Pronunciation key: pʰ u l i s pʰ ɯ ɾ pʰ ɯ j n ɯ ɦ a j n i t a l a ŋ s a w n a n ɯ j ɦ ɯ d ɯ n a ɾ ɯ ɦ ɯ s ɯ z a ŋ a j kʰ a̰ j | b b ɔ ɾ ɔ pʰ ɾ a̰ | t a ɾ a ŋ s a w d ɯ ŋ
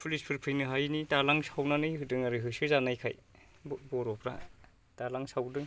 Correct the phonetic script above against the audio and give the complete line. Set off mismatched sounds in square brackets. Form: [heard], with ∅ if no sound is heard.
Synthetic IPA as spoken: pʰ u l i s pʰ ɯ ɾ pʰ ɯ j n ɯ ɦ a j n i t a l a ŋ s a w n a n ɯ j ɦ ɯ d ɯ [ŋ] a ɾ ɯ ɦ ɯ s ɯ z a [n] a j kʰ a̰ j | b b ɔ ɾ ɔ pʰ ɾ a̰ | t a [l] a ŋ s a w d ɯ ŋ